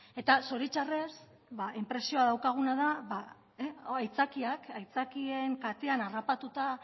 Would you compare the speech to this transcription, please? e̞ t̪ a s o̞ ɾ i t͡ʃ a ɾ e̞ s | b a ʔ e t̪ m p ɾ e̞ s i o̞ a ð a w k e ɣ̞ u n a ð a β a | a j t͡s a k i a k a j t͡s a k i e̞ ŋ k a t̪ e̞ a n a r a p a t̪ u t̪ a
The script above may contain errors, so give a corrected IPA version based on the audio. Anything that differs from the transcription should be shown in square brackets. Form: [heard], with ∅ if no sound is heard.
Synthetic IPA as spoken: e̞ t̪ a s o̞ ɾ i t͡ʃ a [r] e̞ s | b a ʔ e [∅] m p ɾ e̞ s i o̞ a ð a w k [a] ɣ̞ u n a ð a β a | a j t͡s a k i a k a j t͡s a k i e̞ ŋ k a t̪ e̞ a n a r a p a t̪ u t̪ a